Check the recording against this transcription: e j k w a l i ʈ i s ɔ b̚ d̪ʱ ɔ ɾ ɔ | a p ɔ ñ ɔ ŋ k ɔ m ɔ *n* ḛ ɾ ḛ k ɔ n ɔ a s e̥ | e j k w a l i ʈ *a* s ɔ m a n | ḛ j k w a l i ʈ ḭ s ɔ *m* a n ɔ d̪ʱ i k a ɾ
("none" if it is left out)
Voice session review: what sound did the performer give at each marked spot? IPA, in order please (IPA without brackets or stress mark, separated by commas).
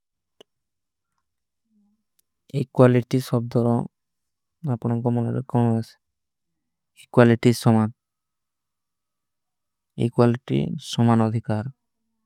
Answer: n, i, m